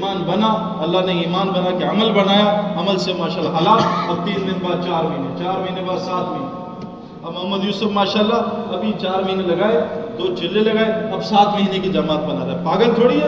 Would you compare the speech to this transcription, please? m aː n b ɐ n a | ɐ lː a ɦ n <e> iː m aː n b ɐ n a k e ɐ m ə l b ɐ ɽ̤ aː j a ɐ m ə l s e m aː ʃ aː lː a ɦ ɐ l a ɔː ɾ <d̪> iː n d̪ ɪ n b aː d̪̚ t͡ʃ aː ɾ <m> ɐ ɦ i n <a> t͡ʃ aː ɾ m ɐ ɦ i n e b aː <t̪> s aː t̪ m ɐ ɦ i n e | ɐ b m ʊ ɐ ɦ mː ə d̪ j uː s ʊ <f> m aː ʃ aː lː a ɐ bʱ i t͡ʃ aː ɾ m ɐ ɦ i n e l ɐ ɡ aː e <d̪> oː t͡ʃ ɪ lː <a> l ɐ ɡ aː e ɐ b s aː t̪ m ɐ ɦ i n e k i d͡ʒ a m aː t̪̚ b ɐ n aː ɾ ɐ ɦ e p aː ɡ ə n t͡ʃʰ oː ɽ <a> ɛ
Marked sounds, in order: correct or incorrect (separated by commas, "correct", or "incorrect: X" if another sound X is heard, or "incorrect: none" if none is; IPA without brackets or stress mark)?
correct, incorrect: t̪, correct, incorrect: e, incorrect: d̪, correct, correct, incorrect: e, incorrect: i